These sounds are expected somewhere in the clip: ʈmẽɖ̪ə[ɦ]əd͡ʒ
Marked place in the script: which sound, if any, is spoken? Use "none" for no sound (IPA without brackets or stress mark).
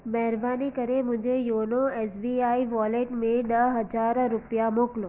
ɦ